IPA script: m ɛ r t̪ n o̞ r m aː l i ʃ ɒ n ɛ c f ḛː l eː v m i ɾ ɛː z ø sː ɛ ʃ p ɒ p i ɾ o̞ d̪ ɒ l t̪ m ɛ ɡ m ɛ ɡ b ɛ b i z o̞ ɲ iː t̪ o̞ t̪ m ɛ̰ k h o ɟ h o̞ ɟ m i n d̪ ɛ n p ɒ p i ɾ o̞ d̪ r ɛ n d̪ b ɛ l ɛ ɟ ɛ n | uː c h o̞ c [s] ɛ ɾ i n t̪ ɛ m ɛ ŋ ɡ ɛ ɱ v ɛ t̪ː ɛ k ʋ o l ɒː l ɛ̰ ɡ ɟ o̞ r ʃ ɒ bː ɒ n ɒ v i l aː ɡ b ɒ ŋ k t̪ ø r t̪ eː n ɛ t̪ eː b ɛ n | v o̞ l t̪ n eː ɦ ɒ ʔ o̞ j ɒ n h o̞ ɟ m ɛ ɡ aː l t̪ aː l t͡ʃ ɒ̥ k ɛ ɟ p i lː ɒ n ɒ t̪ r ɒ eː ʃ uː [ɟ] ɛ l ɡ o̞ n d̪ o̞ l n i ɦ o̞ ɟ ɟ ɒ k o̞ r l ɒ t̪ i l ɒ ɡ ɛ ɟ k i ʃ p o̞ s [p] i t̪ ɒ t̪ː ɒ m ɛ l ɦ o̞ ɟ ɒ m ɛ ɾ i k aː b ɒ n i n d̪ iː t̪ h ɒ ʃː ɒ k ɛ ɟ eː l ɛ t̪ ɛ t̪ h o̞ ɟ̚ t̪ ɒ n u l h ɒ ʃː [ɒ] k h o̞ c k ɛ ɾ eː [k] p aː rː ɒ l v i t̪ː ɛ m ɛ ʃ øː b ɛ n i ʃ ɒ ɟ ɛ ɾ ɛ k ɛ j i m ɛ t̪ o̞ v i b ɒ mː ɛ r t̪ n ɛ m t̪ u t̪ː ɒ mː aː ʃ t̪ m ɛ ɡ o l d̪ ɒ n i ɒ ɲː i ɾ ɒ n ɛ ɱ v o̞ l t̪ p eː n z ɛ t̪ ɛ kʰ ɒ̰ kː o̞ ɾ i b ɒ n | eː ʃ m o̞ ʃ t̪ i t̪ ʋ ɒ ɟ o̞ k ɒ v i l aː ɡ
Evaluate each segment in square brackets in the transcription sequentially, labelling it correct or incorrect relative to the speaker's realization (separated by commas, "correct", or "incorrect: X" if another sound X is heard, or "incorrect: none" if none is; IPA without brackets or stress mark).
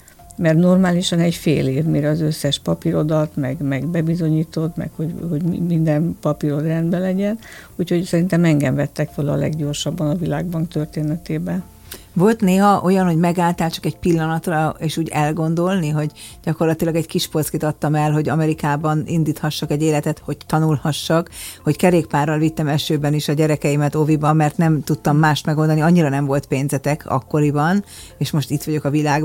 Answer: correct, correct, incorrect: k, correct, correct